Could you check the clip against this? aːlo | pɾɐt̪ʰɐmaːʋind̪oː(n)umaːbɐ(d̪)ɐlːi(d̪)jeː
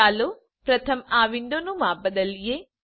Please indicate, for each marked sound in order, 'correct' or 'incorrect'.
correct, correct, incorrect

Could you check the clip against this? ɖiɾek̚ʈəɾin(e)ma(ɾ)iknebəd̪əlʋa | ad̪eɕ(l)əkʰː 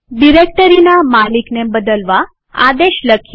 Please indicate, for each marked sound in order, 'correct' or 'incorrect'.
incorrect, incorrect, correct

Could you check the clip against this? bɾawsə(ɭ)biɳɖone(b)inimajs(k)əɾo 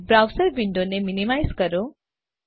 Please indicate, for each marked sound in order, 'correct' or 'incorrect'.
incorrect, incorrect, correct

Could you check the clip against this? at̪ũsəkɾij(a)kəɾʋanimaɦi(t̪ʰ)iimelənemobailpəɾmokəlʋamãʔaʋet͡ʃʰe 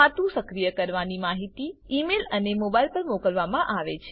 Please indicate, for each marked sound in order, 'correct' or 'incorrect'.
incorrect, incorrect

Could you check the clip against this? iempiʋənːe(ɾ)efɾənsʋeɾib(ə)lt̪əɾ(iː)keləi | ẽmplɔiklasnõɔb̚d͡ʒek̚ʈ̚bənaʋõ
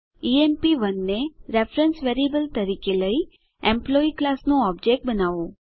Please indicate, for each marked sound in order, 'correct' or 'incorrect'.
correct, correct, incorrect

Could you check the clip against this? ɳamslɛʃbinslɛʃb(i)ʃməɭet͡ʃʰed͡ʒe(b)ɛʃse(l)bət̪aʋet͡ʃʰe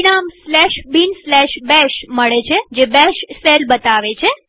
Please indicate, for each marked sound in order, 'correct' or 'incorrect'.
incorrect, correct, correct

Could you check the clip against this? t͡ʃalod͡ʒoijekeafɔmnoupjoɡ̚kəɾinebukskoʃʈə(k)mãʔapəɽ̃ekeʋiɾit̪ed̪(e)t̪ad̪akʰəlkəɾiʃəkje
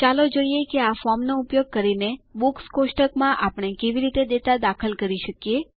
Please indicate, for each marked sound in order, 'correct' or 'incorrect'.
correct, correct

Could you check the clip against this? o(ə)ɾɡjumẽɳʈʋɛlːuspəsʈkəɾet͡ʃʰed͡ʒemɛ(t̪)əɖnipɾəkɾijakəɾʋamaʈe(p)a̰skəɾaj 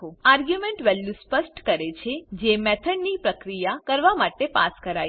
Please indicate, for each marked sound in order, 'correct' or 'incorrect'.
incorrect, incorrect, correct

